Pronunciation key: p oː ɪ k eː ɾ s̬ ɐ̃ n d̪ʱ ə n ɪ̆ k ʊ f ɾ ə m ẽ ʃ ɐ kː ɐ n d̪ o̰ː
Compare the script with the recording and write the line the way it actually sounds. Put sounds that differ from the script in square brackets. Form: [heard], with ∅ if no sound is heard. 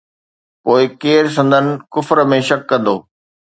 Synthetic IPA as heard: p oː ɪ k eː ɾ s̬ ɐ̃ n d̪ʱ ə n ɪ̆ k ʊ f ɾ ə m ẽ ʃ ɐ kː [ɐ̃] n d̪ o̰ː

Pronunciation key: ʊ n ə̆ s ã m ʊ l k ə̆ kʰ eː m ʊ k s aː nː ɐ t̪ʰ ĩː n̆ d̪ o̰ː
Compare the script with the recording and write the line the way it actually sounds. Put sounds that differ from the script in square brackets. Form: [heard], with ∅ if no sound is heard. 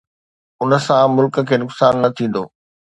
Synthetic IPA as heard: ʊ n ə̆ s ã m ʊ l k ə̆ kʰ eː [n] ʊ k s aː nː ɐ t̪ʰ ĩː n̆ d̪ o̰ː

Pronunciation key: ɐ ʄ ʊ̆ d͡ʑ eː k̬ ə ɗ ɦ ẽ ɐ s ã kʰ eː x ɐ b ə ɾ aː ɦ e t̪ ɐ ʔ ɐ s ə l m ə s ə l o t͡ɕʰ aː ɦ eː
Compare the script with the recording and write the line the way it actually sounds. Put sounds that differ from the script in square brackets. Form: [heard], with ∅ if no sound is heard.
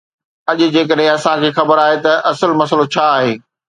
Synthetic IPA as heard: ɐ ʄ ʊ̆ d͡ʑ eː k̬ ə ɗ ɦ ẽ ɐ s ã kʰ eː x ɐ b ə ɾ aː ɦ e t̪ ɐ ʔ ɐ s ə l m [ɐ] s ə l o t͡ɕʰ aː ɦ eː

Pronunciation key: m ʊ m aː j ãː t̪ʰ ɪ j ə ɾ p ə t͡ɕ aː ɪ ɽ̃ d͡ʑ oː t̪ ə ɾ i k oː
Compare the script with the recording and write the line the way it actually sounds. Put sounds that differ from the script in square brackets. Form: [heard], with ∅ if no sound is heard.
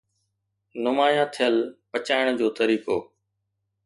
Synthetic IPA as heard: [n] ʊ m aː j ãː t̪ʰ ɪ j ə [l] p ə t͡ɕ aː ɪ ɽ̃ d͡ʑ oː t̪ ə ɾ [iː] k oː

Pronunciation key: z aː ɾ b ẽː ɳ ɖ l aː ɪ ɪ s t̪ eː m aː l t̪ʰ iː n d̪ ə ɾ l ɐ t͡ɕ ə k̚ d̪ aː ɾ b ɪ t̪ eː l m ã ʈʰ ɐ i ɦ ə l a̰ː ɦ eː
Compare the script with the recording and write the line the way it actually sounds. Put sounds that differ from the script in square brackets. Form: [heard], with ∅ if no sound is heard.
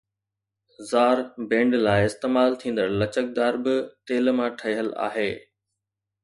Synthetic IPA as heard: z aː ɾ b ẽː ɳ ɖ l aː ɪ ɪ s t̪ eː m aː l t̪ʰ [ĩː] n d̪ ə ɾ l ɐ t͡ɕ ə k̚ d̪ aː ɾ b ɪ t̪ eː l m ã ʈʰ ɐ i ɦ ə l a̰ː ɦ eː

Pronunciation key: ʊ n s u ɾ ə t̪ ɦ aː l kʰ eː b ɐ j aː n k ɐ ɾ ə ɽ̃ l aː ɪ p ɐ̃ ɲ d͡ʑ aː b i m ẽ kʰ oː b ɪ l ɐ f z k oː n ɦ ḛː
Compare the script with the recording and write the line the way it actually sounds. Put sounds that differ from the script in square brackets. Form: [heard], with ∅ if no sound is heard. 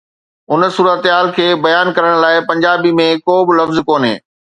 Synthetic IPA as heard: ʊ n s [uː] ɾ ə t̪ ɦ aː l kʰ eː b ɐ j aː n k ɐ ɾ ə ɽ̃ l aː ɪ p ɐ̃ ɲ d͡ʑ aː b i m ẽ [k] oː b ɪ l ɐ f z k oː n ɦ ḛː

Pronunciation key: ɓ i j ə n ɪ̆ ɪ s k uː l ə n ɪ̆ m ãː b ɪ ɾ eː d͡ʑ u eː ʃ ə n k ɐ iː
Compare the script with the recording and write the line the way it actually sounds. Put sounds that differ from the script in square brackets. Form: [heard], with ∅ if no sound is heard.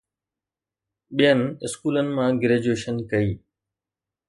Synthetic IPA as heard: ɓ i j ə n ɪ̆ ɪ s k uː l ə n ɪ̆ m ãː [ɡ] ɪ ɾ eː d͡ʑ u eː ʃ ə n k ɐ iː

